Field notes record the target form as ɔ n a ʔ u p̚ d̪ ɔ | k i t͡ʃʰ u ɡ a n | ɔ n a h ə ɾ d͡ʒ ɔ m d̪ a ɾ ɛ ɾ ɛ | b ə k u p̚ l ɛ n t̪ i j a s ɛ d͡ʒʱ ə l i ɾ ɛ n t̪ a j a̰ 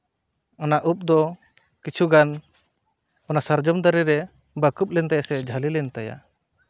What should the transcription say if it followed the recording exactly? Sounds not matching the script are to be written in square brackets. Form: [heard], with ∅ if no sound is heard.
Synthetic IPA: ɔ n a ʔ u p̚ d̪ ɔ | k i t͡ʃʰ u ɡ a n | ɔ n a [s] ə ɾ d͡ʒ ɔ m d̪ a ɾ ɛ ɾ ɛ | b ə k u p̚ l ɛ n t̪ [a] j a s ɛ d͡ʒʱ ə l i [l] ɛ n t̪ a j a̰

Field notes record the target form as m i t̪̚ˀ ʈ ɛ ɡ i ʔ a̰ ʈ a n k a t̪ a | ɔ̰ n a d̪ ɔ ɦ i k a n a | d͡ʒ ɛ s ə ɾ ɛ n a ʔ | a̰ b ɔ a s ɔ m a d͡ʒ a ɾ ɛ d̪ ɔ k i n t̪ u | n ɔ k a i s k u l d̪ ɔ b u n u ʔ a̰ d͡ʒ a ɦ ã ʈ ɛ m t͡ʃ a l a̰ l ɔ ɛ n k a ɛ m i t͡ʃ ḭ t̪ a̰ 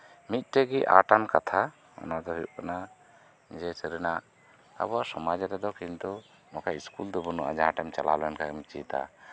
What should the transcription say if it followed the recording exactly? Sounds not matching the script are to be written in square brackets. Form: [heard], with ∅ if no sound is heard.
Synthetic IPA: m i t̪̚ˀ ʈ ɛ ɡ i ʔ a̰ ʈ a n k a [t̪ʰ] a | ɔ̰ n a d̪ ɔ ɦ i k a n a | d͡ʒ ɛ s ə ɾ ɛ n a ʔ | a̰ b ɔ a s ɔ m a d͡ʒ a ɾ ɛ d̪ ɔ k i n t̪ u | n ɔ k a i s k u l d̪ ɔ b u n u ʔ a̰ d͡ʒ a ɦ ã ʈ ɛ m t͡ʃ a l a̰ l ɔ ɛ n k a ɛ m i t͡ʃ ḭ t̪ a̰

